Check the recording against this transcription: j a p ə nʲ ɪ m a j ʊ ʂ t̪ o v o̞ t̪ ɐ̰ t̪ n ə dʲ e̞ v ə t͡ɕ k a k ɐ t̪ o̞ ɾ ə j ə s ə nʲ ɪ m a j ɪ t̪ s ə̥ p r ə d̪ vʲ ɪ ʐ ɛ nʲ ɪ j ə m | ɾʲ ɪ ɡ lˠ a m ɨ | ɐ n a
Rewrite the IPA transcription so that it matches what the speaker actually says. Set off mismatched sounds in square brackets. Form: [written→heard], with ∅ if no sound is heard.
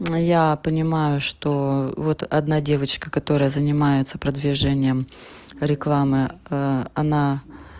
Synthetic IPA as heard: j a p ə nʲ ɪ m a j ʊ ʂ t̪ o v o̞ t̪ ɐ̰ [t̪→d̪] n [ə→a] dʲ e̞ v ə t͡ɕ k [a→ə] k ɐ t̪ o̞ ɾ ə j ə [s→z] ə nʲ ɪ m a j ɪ t̪ s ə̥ p [r→ɾ] ə d̪ vʲ ɪ ʐ ɛ nʲ ɪ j ə m | ɾʲ ɪ [ɡ→k] lˠ a m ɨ | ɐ n a